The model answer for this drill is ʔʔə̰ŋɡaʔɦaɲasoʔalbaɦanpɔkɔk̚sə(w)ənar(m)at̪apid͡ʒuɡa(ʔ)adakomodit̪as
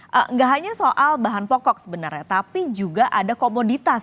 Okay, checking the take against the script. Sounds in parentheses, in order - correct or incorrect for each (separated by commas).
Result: incorrect, incorrect, correct